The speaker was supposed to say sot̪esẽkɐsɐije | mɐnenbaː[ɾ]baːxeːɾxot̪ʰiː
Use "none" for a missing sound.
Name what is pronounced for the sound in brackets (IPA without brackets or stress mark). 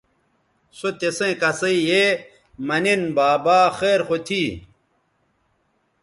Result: none